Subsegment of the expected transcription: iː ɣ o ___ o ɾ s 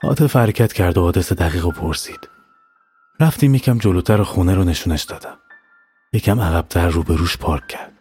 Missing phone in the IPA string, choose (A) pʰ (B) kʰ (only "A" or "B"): A